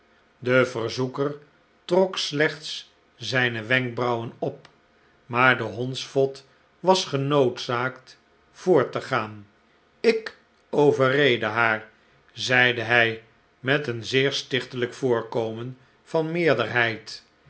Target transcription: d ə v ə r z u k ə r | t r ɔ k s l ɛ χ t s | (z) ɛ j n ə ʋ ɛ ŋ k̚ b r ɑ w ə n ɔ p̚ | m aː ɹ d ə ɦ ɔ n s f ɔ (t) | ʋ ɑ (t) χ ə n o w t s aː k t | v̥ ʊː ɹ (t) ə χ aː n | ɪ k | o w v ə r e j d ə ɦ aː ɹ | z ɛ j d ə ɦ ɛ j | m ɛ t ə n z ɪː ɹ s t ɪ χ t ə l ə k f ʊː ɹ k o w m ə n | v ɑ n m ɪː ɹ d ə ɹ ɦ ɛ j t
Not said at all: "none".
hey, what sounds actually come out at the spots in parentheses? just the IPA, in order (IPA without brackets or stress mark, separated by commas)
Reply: z, t, s, t